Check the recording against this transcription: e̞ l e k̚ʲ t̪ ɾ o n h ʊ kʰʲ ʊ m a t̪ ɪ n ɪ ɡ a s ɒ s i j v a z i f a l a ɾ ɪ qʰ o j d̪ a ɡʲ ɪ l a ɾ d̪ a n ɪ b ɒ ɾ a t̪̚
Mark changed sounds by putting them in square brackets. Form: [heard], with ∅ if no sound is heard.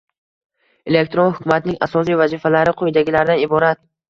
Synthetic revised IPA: e̞ l e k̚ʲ t̪ ɾ o n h ʊ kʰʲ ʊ m a t̪ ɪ n ɪ [ŋ] a s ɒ s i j v a z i f a l a ɾ ɪ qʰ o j d̪ a ɡʲ ɪ l a ɾ d̪ a n ɪ b ɒ ɾ a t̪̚